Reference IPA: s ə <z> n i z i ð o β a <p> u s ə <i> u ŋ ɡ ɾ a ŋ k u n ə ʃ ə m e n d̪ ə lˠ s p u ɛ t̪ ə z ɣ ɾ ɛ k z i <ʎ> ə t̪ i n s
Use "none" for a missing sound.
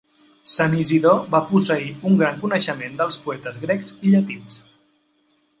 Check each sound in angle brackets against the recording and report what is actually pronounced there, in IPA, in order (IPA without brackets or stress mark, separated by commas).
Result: none, p, i, ʎ